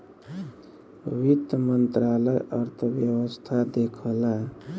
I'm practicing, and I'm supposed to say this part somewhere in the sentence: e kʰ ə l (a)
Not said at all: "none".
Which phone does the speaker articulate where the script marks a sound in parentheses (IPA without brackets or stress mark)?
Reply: a